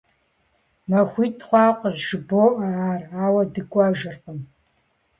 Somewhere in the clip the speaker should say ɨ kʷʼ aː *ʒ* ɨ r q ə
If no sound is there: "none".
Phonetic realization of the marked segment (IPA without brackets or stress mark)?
ʒ